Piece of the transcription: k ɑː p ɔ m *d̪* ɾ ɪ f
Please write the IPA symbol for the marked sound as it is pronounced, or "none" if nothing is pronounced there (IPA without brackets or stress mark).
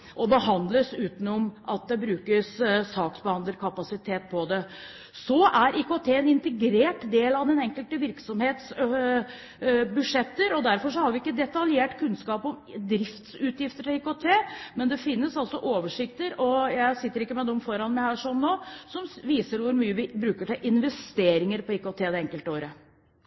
d̪